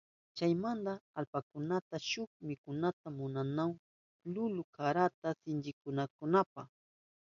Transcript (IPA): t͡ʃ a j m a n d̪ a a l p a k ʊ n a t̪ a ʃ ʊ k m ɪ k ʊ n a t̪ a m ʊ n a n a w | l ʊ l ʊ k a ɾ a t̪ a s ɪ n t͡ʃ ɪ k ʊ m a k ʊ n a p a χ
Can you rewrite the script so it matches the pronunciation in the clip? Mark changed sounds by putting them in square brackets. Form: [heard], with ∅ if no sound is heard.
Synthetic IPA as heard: t͡ʃ a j m a n d̪ a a l p a k ʊ n a t̪ a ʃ ʊ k m ɪ k ʊ n a t̪ a m ʊ n a n a w | l ʊ l ʊ k a ɾ a t̪ a s ɪ n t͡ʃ ɪ k ʊ [n] a k ʊ n a p a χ